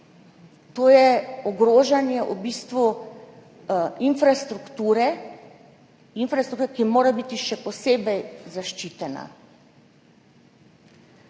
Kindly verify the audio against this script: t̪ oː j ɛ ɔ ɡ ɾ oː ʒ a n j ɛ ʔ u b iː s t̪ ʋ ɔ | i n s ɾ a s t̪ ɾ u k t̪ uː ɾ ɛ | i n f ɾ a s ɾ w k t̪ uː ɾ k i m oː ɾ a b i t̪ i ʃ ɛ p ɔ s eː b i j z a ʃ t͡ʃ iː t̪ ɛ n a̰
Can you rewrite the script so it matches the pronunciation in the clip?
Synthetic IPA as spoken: t̪ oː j ɛ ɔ ɡ ɾ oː ʒ a n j ɛ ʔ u b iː s t̪ ʋ u | i n f ɾ a s t̪ ɾ u k t̪ uː ɾ ɛ | i n f ɾ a s ɾ u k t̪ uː ɾ k i m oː ɾ a b i t̪ i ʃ ɛ p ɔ s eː b ɛ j z a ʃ t͡ʃ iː t̪ ɛ n a̰